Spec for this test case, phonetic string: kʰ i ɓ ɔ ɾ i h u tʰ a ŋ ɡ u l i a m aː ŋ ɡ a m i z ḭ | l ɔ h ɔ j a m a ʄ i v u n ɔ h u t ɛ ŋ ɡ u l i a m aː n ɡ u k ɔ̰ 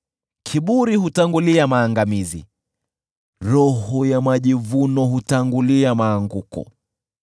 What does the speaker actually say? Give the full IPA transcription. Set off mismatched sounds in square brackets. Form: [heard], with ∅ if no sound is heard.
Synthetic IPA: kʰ i ɓ [u] ɾ i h u [t] a ŋ ɡ u l i a m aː ŋ ɡ a m i z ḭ | [ɾ] ɔ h ɔ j a m a ʄ i v u n ɔ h u t [a] ŋ ɡ u l i a m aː [ŋ] ɡ u k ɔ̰